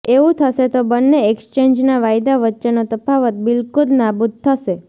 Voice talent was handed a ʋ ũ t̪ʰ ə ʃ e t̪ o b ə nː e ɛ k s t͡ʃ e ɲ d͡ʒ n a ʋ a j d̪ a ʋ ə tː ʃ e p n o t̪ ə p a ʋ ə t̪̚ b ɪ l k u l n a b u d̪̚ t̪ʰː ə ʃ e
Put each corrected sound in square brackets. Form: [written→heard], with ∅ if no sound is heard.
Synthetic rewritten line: [a→e] ʋ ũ t̪ʰ ə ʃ e t̪ o b ə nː e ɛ k s t͡ʃ e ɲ d͡ʒ n a ʋ a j d̪ a ʋ ə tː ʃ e [p→∅] n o t̪ ə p a ʋ ə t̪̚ b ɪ l k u l n a b u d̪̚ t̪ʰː ə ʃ e

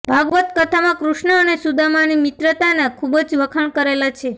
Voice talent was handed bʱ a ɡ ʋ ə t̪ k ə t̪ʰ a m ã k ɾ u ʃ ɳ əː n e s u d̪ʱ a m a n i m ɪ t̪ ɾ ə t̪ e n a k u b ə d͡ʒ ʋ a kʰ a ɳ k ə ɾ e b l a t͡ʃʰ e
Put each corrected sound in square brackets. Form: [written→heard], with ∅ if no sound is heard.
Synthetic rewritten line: bʱ a ɡ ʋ ə t̪ k ə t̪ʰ a m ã k ɾ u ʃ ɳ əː n e s u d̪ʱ a m a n i m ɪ t̪ ɾ ə t̪ [e→a] n a [k→kʰ] u b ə d͡ʒ ʋ [a→ə] kʰ [a→ə] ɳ k ə ɾ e [b→∅] l a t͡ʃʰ e

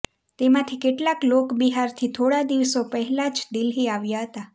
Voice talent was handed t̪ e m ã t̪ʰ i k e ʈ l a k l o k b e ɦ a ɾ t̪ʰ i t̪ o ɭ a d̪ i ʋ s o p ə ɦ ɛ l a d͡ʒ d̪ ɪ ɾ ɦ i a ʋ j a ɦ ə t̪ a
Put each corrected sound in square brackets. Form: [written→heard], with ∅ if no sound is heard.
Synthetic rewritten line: t̪ e m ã t̪ʰ i k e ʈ l a k l o k b [e→i] ɦ a ɾ t̪ʰ i [t̪→t̪ʰ] o [ɭ→ɽ] a d̪ i ʋ s o p ə ɦ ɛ l a d͡ʒ d̪ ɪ [ɾ→l] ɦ i a ʋ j a ɦ ə t̪ a

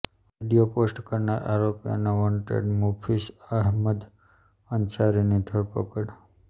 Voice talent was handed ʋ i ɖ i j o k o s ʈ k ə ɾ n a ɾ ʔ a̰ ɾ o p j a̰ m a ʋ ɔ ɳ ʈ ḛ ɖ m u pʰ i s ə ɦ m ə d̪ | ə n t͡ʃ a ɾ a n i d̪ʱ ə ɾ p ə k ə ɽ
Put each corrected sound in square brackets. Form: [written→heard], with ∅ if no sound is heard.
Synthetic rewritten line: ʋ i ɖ i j o [k→p] o s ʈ k ə ɾ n a ɾ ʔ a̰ ɾ o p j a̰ [m→n] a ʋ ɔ ɳ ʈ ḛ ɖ m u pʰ i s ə ɦ m ə d̪ | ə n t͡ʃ a ɾ [a→i] n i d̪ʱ ə ɾ p ə k ə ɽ

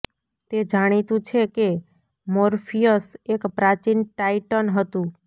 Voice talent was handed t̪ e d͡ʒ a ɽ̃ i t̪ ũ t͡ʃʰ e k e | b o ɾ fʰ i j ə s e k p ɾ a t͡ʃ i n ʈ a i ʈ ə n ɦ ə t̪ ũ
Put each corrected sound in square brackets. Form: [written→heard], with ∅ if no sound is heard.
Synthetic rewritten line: t̪ e d͡ʒ a ɽ̃ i t̪ ũ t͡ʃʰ e k e | [b→m] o ɾ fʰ i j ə s e k p ɾ a t͡ʃ i n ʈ a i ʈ ə n ɦ ə t̪ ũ

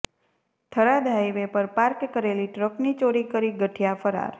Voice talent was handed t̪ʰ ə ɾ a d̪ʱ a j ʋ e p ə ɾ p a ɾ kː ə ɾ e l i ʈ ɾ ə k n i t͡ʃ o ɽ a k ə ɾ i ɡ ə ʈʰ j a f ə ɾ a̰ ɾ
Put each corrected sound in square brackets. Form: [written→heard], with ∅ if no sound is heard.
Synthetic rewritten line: t̪ʰ ə ɾ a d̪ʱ a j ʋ e p ə ɾ p a ɾ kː ə ɾ e l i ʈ ɾ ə k n i t͡ʃ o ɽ [a→i] k ə ɾ i ɡ ə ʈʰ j a f ə ɾ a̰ ɾ

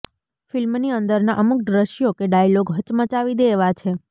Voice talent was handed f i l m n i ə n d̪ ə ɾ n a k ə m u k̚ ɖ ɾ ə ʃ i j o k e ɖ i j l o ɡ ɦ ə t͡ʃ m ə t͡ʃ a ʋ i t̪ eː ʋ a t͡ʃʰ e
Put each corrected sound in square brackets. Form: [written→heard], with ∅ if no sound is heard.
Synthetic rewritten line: f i l m n i ə n d̪ ə ɾ n a [k→ʔ] ə m u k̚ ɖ ɾ ə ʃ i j o k e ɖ [i→a] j l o ɡ ɦ ə t͡ʃ m ə t͡ʃ a ʋ i [t̪→d̪] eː ʋ a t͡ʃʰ e

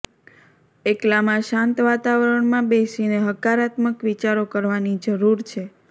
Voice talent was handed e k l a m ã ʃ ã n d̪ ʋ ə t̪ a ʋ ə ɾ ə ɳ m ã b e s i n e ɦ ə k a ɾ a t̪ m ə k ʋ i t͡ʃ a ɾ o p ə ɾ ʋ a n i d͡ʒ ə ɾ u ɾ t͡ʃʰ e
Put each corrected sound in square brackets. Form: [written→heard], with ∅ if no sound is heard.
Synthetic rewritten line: e k l a m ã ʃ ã n [d̪→t̪] ʋ [ə→a] t̪ a ʋ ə ɾ ə ɳ m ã b e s i n e ɦ ə k a ɾ a t̪ m ə k ʋ i t͡ʃ a ɾ o [p→k] ə ɾ ʋ a n i d͡ʒ ə ɾ u ɾ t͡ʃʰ e

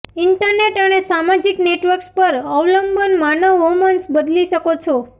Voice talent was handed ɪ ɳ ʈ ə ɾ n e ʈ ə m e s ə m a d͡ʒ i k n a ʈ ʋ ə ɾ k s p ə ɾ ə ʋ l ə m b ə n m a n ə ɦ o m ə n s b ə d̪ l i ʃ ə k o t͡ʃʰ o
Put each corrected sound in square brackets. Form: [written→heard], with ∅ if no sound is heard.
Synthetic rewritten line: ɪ ɳ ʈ ə ɾ n e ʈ ə [m→n] e s [ə→a] m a d͡ʒ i k n [a→e] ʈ ʋ ə ɾ k s p ə ɾ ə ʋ l ə m b ə n m a n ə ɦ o m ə n s b ə d̪ l i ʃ ə k o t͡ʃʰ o

